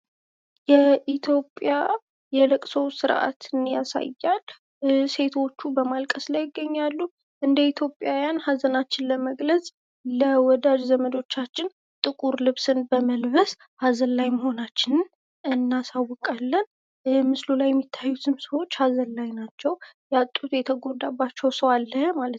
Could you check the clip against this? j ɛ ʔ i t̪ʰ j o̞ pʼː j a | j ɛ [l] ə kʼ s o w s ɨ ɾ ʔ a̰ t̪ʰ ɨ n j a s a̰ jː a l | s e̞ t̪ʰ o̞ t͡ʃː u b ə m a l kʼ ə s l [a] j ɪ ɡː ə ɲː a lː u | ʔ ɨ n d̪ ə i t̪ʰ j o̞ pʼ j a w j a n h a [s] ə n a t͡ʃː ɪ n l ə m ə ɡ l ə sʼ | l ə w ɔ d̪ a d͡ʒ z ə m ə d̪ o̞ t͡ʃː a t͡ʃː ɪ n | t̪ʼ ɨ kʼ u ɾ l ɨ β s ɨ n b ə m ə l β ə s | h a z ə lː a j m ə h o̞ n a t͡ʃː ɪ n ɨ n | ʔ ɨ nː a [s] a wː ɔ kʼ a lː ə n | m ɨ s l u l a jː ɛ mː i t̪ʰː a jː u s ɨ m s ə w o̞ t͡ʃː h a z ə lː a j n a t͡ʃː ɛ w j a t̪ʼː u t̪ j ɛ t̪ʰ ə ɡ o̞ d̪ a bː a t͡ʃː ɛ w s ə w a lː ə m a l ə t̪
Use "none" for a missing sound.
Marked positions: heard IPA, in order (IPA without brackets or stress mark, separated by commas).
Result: l, a, z, s